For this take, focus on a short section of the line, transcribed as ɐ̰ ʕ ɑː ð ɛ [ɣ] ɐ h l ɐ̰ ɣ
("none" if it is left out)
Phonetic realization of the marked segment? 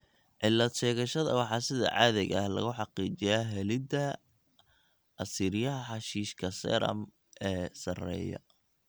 ɣ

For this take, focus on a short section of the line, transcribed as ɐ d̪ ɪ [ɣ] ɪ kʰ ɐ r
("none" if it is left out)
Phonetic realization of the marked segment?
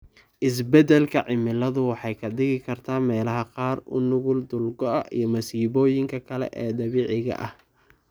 ɣ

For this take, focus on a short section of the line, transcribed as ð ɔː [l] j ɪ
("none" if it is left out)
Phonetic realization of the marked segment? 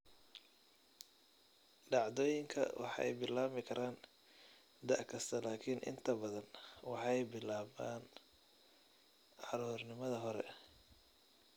none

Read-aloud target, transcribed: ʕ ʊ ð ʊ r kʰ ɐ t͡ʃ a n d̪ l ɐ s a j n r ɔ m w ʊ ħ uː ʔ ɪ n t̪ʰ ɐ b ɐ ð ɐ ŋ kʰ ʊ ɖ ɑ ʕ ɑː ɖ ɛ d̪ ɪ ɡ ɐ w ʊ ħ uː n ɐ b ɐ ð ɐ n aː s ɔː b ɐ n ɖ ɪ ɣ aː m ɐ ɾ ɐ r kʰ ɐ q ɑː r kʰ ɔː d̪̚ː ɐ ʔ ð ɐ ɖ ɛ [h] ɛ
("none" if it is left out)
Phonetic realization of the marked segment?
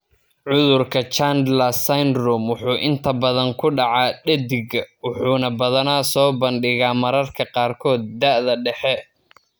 ħ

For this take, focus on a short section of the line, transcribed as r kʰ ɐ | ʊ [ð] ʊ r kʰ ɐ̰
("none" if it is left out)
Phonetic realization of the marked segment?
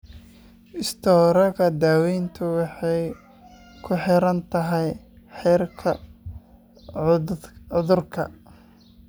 ð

